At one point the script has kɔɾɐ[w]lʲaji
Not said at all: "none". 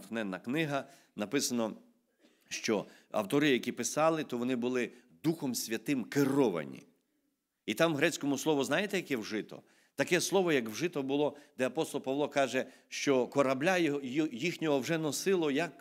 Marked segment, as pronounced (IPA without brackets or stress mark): b